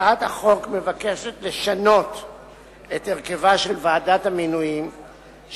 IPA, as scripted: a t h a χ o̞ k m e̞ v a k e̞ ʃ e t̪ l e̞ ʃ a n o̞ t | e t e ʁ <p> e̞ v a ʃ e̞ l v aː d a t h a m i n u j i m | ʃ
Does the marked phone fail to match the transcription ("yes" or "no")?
yes